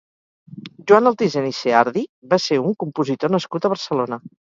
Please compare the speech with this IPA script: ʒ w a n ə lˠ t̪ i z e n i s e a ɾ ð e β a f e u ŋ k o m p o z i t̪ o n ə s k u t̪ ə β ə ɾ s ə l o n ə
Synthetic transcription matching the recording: ʒ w a n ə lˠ t̪ i z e n i s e a ɾ ð i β a s e u ŋ k u m p u z i t̪ o n ə s k u t̪ ə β ə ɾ s ə l o n ə